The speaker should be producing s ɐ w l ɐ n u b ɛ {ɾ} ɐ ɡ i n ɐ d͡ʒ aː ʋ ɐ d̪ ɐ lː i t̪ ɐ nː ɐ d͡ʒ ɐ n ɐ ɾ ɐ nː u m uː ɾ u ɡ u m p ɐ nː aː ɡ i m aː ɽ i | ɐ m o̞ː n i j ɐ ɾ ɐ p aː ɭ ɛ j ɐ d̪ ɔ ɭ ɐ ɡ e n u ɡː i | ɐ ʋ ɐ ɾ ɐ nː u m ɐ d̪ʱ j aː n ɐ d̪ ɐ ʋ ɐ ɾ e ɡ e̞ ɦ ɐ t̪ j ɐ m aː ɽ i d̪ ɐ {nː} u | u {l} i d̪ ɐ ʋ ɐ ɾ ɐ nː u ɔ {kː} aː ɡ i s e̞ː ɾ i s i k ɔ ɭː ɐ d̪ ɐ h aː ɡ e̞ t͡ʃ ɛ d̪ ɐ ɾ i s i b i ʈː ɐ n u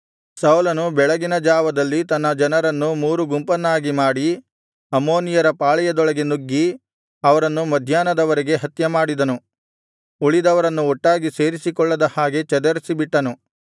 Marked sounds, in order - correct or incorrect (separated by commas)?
incorrect, incorrect, incorrect, incorrect